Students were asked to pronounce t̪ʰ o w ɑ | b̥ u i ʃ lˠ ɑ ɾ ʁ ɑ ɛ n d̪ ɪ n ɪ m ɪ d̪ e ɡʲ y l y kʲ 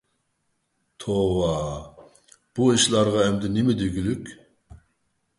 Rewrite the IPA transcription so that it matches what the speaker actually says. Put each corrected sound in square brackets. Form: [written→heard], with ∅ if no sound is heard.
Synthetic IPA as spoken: t̪ʰ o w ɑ | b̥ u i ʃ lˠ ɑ ɾ ʁ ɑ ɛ [n→m] d̪ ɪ n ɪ m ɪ d̪ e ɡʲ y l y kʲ